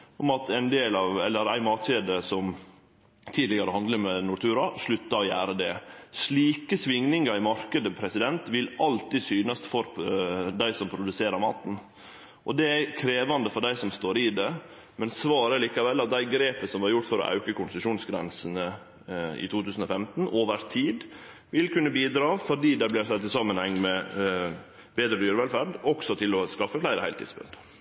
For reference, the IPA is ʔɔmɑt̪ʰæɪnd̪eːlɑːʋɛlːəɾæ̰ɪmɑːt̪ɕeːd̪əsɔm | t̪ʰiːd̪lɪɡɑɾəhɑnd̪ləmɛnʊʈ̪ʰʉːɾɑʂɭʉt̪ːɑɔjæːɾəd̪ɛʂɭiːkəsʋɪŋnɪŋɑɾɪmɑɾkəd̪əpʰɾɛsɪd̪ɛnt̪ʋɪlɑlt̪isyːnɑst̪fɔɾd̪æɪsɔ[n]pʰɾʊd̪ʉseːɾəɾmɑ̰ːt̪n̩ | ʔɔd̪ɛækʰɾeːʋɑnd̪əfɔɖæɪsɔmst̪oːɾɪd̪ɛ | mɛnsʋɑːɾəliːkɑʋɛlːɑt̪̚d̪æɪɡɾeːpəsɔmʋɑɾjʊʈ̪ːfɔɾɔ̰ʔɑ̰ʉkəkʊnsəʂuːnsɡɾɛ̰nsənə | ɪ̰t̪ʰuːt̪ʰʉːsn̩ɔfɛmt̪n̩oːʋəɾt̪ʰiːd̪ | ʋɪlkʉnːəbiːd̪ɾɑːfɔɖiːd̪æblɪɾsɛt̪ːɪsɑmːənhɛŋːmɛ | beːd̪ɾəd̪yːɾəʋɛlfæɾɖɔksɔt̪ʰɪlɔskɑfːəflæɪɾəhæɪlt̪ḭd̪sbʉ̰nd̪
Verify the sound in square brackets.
incorrect: m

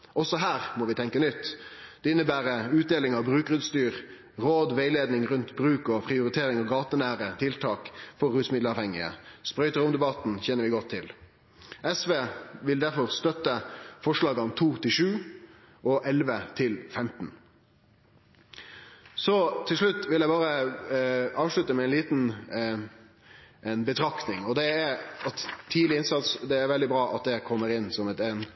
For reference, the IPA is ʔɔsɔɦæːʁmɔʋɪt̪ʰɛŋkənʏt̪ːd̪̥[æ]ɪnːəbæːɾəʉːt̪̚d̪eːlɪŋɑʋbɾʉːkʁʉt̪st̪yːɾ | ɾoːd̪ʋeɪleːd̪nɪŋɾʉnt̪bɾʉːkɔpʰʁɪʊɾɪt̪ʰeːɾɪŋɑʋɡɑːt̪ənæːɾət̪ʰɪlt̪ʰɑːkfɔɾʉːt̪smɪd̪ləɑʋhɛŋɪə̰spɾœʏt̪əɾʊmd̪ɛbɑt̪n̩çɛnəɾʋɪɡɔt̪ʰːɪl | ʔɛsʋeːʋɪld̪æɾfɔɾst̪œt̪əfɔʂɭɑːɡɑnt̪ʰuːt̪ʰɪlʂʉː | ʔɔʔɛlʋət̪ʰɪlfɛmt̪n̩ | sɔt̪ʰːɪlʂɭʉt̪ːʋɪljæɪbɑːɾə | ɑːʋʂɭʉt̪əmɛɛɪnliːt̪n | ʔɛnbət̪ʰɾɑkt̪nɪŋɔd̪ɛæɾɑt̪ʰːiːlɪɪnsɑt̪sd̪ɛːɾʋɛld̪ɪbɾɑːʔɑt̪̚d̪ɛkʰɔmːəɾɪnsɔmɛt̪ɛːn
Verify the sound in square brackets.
incorrect: ɛ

